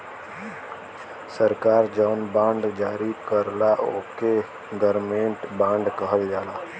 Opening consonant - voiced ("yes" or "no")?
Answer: no